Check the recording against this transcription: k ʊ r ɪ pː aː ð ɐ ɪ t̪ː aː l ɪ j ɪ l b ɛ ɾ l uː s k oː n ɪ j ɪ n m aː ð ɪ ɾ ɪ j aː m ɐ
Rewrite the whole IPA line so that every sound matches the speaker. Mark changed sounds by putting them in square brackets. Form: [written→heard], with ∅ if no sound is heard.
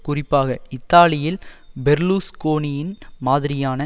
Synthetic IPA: k ʊ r ɪ pː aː [ð→ɣ] ɐ ɪ t̪ː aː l ɪ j ɪ l b ɛ ɾ l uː s k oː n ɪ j ɪ n m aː ð ɪ ɾ ɪ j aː [m→n] ɐ

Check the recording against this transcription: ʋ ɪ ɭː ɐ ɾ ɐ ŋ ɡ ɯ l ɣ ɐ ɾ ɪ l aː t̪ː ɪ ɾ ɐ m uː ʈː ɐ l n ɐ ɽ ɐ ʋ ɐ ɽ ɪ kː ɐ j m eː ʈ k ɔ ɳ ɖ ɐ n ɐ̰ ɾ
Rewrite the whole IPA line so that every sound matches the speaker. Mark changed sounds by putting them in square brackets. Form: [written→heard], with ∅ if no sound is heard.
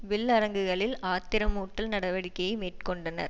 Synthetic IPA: ʋ ɪ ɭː ɐ ɾ ɐ ŋ ɡ ɯ [l→∅] ɣ ɐ [ɾ→ɭ] ɪ l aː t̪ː ɪ ɾ ɐ m uː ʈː ɐ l n ɐ ɽ ɐ ʋ ɐ ɽ ɪ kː ɐ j m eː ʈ k ɔ ɳ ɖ ɐ n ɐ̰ ɾ

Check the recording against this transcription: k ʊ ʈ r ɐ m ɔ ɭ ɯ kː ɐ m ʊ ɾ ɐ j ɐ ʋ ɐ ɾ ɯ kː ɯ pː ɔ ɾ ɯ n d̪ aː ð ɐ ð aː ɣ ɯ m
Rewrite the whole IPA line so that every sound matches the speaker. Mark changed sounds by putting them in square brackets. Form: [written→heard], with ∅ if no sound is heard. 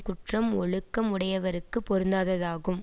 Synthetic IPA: k ʊ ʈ r ɐ m ɔ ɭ ɯ kː ɐ m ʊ [ɾ→ɽ] ɐ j ɐ ʋ ɐ ɾ ɯ kː ɯ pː ɔ ɾ ɯ n d̪ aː ð ɐ ð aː ɣ ɯ m

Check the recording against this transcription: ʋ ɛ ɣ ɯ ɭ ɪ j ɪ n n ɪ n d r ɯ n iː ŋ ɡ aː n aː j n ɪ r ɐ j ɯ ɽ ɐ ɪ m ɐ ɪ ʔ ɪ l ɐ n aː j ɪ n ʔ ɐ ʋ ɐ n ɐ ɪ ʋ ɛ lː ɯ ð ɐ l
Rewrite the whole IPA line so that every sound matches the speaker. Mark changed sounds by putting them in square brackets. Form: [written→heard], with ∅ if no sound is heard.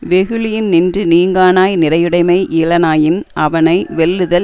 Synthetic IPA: ʋ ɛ ɣ ɯ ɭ ɪ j ɪ n n ɪ n d r ɯ n iː ŋ ɡ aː n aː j n ɪ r ɐ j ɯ ɽ ɐ ɪ m ɐ ɪ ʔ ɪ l ɐ n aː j ɪ n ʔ ɐ ʋ ɐ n ɐ ɪ ʋ ɛ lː ɯ ð ɐ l

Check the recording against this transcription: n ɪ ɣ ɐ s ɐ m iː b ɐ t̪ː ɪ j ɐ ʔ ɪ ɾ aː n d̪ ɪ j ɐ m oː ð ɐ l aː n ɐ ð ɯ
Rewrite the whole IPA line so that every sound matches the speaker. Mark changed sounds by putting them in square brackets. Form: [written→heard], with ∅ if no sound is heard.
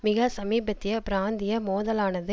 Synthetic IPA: [n→m] ɪ ɣ ɐ s ɐ m iː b ɐ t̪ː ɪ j ɐ [ʔ→p] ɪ ɾ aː n d̪ ɪ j ɐ m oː ð ɐ l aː n ɐ ð ɯ

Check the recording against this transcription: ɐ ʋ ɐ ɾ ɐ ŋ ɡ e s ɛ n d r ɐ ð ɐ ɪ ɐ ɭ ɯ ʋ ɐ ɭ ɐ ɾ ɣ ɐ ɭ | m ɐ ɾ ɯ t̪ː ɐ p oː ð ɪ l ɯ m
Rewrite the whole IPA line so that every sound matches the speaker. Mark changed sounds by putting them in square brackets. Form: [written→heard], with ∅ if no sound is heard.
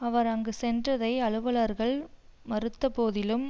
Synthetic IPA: ɐ ʋ ɐ ɾ ɐ ŋ ɡ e s ɛ n d r ɐ ð ɐ ɪ ɐ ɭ ɯ ʋ ɐ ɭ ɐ ɾ ɣ ɐ ɭ | m ɐ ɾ ɯ t̪ː ɐ p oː ð ɪ l ɯ m

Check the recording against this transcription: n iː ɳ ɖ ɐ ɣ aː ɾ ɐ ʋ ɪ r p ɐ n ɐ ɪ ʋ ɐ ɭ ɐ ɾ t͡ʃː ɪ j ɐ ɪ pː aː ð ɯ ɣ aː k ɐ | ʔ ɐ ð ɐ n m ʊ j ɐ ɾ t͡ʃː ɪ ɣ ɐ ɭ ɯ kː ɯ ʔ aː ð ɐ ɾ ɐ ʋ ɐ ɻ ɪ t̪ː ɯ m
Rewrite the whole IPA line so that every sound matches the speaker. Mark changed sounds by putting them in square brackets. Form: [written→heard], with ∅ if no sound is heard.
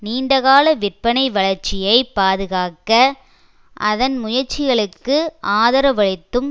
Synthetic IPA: n iː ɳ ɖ ɐ ɣ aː [ɾ→l] ɐ ʋ ɪ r p ɐ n ɐ ɪ ʋ ɐ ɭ ɐ ɾ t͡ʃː ɪ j ɐ ɪ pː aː ð ɯ ɣ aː k ɐ | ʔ ɐ ð ɐ n m ʊ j ɐ ɾ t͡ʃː ɪ ɣ ɐ ɭ ɯ kː ɯ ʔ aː ð ɐ ɾ ɐ ʋ ɐ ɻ ɪ t̪ː ɯ m

